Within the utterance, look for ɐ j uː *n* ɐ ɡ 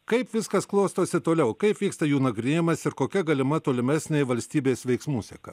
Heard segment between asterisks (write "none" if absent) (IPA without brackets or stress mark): n